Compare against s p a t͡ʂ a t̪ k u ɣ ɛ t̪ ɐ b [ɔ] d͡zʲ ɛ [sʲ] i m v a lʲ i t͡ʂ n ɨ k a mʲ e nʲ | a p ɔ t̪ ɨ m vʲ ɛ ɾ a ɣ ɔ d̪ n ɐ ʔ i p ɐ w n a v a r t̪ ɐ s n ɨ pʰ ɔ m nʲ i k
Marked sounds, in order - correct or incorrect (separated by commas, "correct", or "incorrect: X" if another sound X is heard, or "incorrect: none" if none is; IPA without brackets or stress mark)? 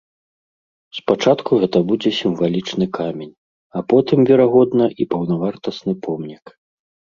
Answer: incorrect: u, correct